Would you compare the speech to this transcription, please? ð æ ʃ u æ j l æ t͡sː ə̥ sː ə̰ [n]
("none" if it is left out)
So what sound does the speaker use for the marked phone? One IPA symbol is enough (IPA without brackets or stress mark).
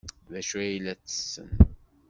n